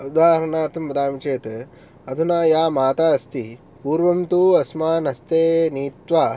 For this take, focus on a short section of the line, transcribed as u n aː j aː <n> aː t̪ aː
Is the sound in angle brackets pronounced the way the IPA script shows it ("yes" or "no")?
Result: no